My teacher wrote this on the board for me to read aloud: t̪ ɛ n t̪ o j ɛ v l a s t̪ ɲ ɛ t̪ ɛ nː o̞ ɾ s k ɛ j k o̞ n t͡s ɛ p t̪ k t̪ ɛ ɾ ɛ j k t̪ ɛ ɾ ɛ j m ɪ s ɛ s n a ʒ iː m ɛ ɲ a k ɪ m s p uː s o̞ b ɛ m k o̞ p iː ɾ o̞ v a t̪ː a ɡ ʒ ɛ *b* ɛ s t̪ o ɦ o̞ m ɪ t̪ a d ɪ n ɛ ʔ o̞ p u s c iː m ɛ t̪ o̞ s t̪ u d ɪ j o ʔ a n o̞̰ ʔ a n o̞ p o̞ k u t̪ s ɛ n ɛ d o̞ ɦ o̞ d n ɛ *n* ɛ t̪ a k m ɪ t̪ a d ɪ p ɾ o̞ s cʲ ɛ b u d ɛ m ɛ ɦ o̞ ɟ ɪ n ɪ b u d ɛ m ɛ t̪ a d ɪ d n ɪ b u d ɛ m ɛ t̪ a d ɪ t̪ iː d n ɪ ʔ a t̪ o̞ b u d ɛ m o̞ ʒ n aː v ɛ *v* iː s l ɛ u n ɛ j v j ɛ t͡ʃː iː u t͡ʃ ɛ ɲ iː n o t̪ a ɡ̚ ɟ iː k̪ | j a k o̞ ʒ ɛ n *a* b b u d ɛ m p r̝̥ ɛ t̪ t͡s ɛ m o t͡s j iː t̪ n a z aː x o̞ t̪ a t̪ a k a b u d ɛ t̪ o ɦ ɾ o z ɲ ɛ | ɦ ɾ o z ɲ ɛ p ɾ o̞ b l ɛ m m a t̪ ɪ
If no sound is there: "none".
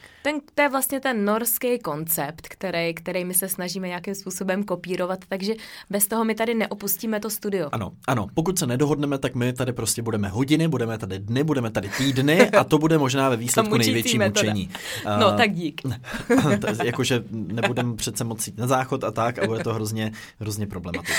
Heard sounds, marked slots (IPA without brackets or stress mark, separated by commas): b, m, v, ɛ